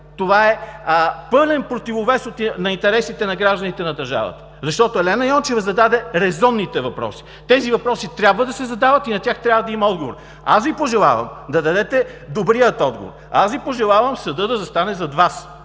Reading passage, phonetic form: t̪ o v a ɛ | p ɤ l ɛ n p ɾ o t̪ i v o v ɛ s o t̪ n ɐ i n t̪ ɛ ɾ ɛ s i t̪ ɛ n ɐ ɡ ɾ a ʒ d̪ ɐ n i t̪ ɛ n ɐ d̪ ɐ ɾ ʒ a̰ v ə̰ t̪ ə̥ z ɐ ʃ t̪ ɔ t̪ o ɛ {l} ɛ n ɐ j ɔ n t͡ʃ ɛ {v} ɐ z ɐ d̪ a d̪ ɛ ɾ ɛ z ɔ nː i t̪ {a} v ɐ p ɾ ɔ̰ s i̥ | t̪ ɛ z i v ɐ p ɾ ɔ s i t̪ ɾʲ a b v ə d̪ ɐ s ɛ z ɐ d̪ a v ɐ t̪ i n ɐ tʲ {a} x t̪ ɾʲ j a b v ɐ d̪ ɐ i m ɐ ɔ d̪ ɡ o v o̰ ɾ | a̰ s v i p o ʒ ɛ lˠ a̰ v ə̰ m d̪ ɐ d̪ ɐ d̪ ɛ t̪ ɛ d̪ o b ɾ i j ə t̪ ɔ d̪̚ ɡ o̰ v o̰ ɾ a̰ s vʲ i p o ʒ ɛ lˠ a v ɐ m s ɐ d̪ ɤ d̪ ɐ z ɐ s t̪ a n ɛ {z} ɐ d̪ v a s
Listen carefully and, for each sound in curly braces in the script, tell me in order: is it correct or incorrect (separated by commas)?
correct, correct, incorrect, correct, correct